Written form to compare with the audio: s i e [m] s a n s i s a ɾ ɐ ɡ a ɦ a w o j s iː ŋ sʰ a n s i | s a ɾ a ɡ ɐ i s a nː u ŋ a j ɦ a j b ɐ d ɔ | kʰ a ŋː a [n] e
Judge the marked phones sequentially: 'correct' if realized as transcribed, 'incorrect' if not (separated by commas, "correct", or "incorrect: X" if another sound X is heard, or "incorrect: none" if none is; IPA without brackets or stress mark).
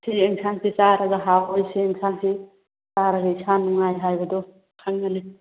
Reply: incorrect: ŋ, correct